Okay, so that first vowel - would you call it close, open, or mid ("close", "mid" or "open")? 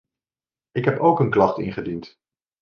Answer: close